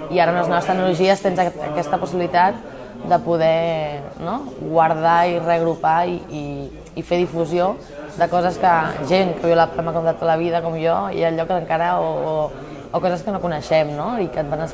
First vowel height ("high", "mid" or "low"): high